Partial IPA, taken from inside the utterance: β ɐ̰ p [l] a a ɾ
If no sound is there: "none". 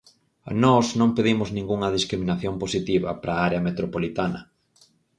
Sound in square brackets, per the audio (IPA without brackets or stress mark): ɾ